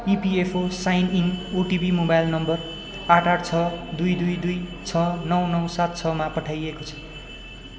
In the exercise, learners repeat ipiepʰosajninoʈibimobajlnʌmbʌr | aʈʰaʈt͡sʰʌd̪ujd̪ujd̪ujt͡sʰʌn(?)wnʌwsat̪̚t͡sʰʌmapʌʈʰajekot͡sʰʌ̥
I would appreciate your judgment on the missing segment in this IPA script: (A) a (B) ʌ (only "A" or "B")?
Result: B